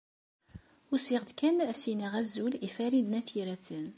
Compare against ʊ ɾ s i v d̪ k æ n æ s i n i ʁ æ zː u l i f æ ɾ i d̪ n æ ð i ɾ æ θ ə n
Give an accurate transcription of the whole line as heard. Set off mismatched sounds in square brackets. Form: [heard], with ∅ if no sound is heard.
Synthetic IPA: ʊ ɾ s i [ʁ] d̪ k æ n æ s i n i ʁ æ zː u l i f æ ɾ i d̪ n æ [θ] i ɾ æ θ ə n